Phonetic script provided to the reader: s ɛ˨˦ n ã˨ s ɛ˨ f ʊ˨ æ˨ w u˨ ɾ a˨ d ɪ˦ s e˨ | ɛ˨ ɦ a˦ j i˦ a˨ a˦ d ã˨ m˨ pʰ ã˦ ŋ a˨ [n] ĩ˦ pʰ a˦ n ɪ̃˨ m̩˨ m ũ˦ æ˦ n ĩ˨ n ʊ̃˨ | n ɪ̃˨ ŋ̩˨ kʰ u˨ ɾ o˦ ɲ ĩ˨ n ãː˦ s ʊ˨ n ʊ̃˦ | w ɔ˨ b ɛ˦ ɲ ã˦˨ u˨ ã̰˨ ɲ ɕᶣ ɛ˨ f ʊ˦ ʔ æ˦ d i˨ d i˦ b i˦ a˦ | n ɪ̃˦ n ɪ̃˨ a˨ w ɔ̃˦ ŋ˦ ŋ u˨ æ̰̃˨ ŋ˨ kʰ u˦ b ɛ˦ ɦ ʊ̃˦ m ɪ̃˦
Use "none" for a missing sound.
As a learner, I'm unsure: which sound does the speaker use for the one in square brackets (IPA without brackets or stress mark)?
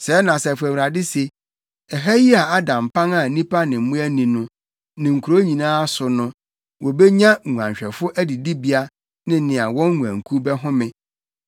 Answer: n